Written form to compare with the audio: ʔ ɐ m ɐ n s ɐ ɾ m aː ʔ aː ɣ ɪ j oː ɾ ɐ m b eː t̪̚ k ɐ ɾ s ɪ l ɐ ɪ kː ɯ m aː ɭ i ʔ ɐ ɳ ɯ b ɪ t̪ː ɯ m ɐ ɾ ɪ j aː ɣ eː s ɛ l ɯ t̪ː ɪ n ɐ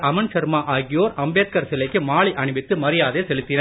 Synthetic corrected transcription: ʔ ɐ m ɐ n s ɐ ɾ m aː ʔ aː ɣ ɪ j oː ɾ ɐ m b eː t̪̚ k ɐ ɾ s ɪ l ɐ ɪ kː ɯ m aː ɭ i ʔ ɐ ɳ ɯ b ɪ t̪ː ɯ m ɐ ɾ ɪ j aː ð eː s ɛ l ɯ t̪ː ɪ n ɐ